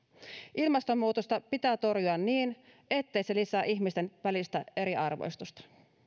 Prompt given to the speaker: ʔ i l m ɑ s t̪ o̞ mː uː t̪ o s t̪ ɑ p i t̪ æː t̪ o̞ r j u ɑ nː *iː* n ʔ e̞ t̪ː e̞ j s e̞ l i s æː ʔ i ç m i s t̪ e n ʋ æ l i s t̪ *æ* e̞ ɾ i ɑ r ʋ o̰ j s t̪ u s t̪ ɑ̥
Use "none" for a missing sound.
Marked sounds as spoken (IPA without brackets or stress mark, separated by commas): iː, æ